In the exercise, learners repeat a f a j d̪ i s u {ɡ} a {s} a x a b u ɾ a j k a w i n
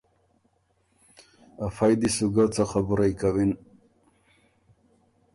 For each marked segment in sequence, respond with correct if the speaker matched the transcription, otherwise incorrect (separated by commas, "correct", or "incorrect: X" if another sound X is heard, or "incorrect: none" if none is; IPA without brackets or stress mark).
correct, incorrect: t͡s